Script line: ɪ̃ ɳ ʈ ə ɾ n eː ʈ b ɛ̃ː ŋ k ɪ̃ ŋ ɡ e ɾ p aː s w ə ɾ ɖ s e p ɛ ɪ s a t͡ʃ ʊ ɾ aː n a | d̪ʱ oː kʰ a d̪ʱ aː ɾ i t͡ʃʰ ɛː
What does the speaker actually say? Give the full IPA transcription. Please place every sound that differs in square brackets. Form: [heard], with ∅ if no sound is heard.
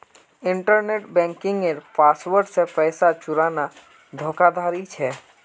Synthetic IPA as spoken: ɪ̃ ɳ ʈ ə ɾ n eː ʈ b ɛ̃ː ŋ k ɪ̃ ŋ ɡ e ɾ p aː s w ə ɾ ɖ s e p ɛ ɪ s a t͡ʃ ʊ ɾ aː n a | d̪ʱ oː [k] a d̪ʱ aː ɾ i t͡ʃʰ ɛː